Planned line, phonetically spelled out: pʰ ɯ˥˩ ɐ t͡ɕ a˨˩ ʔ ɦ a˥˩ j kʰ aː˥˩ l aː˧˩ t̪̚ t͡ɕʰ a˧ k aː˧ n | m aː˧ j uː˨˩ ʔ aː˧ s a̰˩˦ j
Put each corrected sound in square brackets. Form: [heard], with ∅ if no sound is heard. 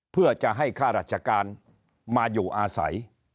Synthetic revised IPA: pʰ ɯ˥˩ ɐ t͡ɕ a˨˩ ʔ ɦ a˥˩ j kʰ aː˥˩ [ɾ] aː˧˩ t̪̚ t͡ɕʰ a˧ k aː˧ n | m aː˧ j uː˨˩ ʔ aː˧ s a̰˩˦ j